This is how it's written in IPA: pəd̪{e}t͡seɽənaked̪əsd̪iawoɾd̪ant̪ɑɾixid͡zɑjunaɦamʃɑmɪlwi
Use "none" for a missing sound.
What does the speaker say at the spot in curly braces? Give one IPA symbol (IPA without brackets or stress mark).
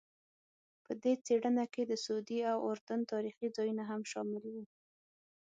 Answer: e